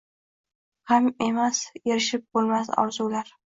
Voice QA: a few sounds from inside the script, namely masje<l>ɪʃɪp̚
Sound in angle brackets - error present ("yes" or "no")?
yes